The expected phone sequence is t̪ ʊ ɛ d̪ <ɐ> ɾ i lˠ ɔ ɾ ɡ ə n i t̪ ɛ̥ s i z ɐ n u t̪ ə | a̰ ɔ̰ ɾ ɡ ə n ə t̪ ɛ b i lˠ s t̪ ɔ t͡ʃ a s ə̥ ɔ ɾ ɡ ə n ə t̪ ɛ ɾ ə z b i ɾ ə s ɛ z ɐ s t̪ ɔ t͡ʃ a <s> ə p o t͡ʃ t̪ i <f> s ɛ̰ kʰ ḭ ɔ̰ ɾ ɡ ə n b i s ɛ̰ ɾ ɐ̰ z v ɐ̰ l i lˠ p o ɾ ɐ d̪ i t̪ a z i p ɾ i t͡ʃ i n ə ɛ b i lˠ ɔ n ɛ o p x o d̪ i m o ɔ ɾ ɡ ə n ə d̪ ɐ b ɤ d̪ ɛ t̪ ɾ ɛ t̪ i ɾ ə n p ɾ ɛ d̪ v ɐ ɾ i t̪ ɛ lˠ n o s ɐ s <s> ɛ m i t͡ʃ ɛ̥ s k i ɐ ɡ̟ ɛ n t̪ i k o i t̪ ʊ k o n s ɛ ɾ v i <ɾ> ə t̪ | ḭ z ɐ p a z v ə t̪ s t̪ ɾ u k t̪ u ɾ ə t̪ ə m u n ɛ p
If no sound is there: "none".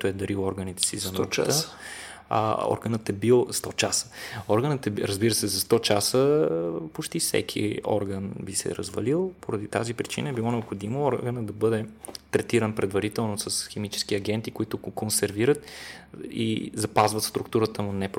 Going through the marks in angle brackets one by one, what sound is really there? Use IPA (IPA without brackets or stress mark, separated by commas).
ɐ, s, f, x, ɾ